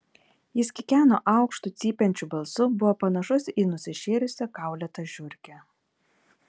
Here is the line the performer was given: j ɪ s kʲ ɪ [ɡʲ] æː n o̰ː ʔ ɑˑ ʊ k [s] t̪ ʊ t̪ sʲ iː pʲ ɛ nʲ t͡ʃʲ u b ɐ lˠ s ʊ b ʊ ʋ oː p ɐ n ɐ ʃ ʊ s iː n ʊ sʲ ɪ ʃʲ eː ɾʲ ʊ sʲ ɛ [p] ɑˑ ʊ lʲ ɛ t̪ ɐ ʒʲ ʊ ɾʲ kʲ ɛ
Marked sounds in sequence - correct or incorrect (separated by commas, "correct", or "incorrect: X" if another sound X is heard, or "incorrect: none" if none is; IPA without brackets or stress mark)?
incorrect: kʲ, incorrect: ʃ, incorrect: k